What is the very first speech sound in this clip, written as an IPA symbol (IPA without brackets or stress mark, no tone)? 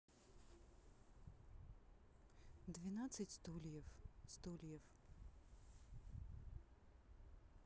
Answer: d̪